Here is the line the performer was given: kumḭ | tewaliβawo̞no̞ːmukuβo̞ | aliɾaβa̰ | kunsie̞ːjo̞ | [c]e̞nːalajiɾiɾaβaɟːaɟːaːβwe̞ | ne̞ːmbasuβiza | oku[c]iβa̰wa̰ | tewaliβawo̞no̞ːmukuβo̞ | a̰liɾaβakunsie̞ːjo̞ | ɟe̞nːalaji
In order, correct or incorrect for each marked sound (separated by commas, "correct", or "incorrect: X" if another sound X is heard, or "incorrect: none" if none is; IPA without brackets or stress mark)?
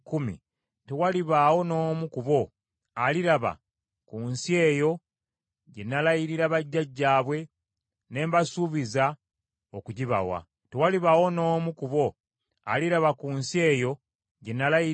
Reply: incorrect: ɟ, incorrect: ɟ